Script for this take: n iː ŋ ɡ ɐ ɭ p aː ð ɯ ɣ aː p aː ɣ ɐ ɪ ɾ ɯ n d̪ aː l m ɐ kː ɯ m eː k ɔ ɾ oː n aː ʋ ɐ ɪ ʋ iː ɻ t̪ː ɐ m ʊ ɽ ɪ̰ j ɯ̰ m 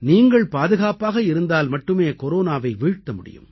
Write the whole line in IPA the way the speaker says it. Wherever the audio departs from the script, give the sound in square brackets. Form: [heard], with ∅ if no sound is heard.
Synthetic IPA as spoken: n iː ŋ ɡ ɐ ɭ p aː ð ɯ ɣ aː p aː ɣ ɐ ɪ ɾ ɯ n d̪ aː l m ɐ [ʈː] ɯ m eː k ɔ ɾ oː n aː ʋ ɐ ɪ ʋ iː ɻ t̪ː ɐ m ʊ ɽ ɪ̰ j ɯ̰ m